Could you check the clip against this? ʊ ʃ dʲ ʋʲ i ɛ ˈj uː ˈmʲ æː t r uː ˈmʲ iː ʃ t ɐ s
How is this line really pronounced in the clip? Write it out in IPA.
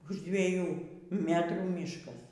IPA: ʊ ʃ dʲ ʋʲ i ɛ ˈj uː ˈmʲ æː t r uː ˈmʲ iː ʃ k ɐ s